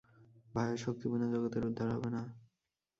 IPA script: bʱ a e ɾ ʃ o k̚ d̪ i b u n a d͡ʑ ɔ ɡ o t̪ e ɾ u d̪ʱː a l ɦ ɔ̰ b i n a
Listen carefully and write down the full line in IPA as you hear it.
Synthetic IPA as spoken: bʱ a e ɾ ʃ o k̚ t̪ i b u n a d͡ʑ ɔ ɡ o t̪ e ɾ u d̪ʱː a ɾ ɦ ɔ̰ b e n a